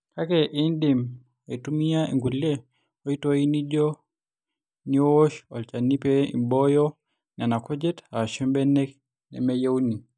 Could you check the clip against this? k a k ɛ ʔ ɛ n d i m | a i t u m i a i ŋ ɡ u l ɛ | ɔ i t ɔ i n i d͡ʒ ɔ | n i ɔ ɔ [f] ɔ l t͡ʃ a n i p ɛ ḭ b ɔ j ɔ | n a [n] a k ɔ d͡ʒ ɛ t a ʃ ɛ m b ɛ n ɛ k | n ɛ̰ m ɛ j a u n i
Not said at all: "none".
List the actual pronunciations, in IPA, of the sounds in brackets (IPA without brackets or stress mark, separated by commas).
ʃ, n